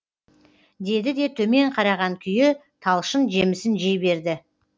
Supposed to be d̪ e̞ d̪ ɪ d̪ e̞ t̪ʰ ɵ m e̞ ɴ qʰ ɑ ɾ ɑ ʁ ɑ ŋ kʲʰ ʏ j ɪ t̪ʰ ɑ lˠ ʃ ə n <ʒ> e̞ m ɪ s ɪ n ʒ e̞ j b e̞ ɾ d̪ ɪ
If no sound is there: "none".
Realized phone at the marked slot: ʒ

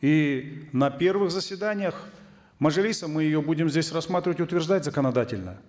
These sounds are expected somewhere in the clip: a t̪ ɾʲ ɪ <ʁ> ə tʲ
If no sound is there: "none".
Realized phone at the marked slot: v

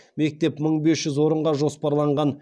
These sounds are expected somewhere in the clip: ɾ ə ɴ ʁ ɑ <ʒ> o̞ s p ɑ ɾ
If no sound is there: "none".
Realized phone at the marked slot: ʒ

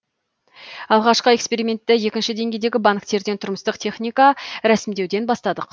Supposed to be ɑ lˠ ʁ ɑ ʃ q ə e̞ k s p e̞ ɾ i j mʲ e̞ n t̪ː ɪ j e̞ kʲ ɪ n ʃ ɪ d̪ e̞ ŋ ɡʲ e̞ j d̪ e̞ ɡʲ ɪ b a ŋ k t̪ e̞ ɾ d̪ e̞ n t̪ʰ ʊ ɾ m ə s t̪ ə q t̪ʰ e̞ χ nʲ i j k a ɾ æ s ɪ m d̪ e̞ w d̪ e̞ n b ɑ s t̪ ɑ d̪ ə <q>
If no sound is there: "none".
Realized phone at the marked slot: q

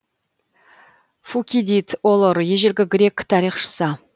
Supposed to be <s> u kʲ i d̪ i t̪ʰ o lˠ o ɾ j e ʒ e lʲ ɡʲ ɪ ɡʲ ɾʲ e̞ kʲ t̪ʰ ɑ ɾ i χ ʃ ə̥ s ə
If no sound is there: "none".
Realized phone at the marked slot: f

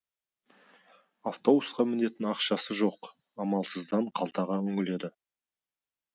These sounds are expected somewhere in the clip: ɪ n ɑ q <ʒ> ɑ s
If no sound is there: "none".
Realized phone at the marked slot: ʃ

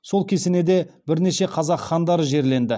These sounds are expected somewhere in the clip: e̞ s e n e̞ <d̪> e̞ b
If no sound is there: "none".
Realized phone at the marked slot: d̪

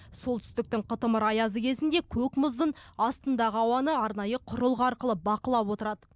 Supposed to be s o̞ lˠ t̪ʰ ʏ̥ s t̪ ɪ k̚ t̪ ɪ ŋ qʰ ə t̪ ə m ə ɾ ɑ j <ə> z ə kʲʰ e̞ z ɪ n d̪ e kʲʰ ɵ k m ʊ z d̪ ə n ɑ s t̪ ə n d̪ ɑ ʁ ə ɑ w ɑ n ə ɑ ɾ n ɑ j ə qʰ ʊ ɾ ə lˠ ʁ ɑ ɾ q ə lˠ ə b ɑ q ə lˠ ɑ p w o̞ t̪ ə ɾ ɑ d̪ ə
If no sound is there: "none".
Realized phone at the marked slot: ɑ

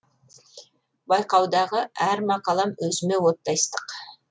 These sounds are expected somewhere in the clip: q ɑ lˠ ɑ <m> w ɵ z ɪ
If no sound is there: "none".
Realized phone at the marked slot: m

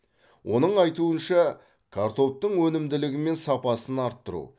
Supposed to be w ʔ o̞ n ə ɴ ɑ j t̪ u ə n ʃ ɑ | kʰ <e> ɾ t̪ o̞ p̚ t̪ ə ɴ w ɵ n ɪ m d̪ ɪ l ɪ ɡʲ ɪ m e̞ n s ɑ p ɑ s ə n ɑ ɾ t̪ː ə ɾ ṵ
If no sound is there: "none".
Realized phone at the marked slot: a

